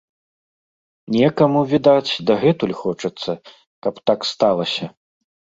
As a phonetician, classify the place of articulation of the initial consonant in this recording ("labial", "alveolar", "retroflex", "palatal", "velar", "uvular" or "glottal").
alveolar